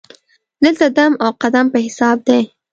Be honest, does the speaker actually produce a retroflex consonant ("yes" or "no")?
no